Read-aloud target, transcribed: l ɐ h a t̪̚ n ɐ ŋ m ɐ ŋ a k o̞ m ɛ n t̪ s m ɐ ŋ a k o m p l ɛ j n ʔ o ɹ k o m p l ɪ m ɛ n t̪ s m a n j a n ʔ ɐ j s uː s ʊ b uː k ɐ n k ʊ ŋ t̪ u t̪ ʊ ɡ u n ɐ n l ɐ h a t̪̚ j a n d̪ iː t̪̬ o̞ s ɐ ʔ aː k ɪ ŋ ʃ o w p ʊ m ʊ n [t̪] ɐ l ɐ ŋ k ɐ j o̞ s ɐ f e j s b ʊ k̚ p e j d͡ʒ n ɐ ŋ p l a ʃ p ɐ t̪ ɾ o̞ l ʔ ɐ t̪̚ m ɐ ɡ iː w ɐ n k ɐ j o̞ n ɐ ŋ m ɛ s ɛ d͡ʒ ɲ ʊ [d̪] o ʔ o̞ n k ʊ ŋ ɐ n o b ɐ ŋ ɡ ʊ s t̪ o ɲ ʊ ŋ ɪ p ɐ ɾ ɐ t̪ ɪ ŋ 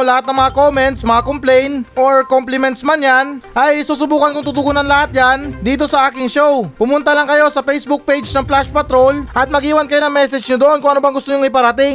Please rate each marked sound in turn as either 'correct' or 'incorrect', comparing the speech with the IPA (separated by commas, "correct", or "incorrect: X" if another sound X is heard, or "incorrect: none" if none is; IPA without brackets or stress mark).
correct, correct